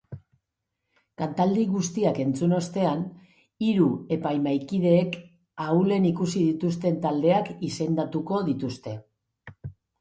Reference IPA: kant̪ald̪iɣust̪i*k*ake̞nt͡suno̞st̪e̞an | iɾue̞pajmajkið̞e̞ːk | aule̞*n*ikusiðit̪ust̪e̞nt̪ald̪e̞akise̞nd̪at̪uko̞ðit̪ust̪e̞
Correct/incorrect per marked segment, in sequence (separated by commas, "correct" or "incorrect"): incorrect, correct